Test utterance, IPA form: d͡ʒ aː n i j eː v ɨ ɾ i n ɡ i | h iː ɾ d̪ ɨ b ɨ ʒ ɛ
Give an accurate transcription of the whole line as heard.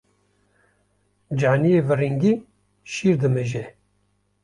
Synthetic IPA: d͡ʒ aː n i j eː v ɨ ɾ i ŋ ɡ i | ʃ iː ɾ d̪ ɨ m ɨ ʒ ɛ